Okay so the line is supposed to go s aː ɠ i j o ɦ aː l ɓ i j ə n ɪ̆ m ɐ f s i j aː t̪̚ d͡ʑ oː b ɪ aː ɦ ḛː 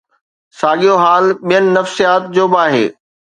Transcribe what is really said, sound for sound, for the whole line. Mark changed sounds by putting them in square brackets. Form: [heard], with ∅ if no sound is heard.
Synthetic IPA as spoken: s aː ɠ i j o ɦ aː l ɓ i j ə n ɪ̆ [n] ɐ f s i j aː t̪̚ d͡ʑ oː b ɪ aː ɦ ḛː